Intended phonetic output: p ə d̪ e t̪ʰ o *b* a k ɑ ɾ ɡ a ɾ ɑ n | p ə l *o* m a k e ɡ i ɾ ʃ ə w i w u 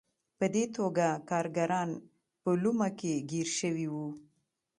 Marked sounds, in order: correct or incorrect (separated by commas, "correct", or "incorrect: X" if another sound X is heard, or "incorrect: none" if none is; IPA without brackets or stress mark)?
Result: incorrect: ɡ, incorrect: u